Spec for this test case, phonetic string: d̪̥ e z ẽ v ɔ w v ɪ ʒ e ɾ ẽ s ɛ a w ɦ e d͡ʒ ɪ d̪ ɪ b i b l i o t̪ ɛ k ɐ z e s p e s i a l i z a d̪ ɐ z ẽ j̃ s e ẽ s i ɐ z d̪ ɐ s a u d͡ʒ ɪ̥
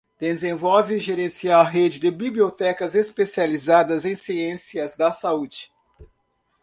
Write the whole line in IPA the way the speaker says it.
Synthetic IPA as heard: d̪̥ e z ẽ v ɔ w v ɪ ʒ e ɾ ẽ s i a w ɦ e d͡ʒ ɪ d̪ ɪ b i b l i o t̪ ɛ k ɐ z e s p e s i a l i z a d̪ ɐ z ẽ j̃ s i ẽ s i ɐ z d̪ ɐ s a u d͡ʒ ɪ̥